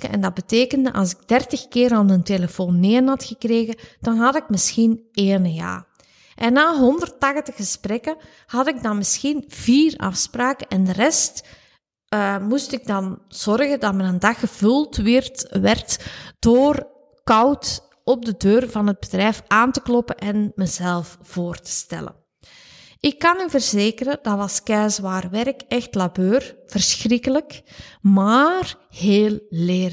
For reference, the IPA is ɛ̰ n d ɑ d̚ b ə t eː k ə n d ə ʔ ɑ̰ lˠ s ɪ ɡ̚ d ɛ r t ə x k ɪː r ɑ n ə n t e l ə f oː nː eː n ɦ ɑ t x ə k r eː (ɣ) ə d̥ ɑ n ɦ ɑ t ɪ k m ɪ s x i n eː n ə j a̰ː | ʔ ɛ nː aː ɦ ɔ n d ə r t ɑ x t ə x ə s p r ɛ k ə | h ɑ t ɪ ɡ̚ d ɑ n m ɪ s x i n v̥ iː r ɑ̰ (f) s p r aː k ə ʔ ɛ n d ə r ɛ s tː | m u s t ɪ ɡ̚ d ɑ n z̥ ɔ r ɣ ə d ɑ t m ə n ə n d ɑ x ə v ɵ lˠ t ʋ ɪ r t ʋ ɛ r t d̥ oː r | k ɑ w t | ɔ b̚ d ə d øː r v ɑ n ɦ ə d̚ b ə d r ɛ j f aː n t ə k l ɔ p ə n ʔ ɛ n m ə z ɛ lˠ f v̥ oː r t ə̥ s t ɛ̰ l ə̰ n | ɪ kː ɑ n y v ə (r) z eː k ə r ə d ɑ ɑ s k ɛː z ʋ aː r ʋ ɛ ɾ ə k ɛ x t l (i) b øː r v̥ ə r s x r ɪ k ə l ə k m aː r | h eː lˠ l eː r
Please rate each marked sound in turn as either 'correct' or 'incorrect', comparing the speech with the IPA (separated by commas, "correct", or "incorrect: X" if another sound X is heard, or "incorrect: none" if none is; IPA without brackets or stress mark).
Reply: correct, correct, correct, incorrect: a